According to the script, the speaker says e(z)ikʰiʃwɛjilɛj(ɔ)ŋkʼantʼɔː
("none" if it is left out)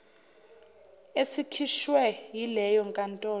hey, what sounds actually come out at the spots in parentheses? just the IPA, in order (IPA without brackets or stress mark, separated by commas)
s, ɔ